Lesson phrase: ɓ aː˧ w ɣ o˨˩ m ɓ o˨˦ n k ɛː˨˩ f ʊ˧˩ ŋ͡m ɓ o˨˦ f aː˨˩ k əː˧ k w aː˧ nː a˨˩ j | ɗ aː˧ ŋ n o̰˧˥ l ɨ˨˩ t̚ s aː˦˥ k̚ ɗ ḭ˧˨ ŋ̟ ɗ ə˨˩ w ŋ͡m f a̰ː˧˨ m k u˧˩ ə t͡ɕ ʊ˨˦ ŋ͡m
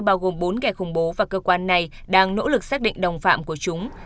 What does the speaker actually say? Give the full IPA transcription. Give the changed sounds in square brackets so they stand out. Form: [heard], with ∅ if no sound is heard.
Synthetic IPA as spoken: ɓ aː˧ w ɣ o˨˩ m ɓ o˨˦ n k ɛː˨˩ [x] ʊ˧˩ ŋ͡m ɓ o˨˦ [v] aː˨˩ k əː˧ k w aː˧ nː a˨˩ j | ɗ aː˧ ŋ n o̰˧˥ l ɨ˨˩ [k̚] s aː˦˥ k̚ ɗ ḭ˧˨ ŋ̟ ɗ ə˨˩ w ŋ͡m f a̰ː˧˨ m k u˧˩ ə t͡ɕ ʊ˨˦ ŋ͡m

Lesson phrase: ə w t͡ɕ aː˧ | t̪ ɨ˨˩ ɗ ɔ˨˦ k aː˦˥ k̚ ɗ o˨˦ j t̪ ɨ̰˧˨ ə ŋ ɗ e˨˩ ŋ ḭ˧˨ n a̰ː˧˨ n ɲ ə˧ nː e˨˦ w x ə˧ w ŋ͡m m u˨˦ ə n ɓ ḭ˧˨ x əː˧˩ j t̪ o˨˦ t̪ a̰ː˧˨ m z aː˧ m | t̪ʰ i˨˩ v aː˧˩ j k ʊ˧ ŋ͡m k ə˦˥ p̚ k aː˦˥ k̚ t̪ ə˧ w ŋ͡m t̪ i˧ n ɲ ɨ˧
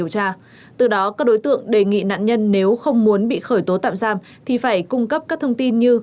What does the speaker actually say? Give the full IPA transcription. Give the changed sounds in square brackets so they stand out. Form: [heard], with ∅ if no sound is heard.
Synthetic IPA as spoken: ə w t͡ɕ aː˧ | t̪ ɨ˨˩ ɗ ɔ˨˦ k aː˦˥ k̚ ɗ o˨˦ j t̪ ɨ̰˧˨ ə ŋ ɗ e˨˩ ŋ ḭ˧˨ n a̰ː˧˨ n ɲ ə˧ nː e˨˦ w x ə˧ w ŋ͡m m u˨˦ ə n ɓ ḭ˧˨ x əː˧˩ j t̪ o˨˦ t̪ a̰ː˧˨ m z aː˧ m | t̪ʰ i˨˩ [f] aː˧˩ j k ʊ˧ ŋ͡m k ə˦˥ p̚ k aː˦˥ k̚ [t̪ʰ] ə˧ w ŋ͡m t̪ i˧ n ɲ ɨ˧

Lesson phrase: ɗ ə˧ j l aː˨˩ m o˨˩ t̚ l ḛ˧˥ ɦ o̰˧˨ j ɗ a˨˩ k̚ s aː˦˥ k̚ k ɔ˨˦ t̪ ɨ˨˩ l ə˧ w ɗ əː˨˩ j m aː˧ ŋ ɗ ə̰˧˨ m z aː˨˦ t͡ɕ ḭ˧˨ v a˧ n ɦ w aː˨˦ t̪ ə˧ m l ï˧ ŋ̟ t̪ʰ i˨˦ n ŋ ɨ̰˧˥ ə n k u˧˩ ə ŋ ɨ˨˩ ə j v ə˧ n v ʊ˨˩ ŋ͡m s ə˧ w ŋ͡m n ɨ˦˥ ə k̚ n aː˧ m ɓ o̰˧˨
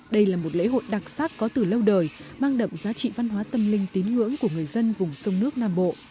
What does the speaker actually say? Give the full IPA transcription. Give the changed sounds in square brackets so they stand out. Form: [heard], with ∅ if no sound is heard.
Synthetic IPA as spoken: ɗ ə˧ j l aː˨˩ m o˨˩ t̚ l ḛ˧˥ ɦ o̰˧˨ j ɗ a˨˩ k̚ s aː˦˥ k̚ k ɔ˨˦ t̪ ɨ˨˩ l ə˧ w ɗ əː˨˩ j m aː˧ ŋ ɗ ə̰˧˨ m z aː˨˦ t͡ɕ ḭ˧˨ v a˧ n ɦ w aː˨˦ t̪ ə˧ m l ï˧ ŋ̟ [t̪] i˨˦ n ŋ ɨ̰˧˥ ə [ŋ] k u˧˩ ə ŋ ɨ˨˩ ə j [z] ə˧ n v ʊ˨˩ ŋ͡m s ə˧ w ŋ͡m n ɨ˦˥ ə k̚ n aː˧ m ɓ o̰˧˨

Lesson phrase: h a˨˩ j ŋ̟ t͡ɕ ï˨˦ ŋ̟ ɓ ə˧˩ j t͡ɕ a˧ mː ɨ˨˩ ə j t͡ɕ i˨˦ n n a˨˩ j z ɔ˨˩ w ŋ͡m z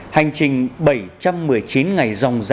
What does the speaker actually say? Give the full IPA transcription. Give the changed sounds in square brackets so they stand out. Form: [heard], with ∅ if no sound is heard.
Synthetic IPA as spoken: h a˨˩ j ŋ̟ t͡ɕ [ï˨˩] ŋ̟ ɓ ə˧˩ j t͡ɕ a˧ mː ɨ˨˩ ə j t͡ɕ i˨˦ n [ŋ] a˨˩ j z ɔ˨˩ w ŋ͡m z

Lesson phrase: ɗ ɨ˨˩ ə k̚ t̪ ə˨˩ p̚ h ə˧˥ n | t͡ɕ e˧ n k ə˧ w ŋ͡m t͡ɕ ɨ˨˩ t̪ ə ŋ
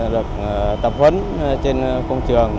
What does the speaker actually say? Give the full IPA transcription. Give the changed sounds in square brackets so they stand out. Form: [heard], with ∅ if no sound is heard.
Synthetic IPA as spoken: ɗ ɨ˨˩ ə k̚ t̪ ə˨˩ p̚ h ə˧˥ n | t͡ɕ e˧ n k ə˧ w ŋ͡m t͡ɕ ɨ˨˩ [∅] ə ŋ

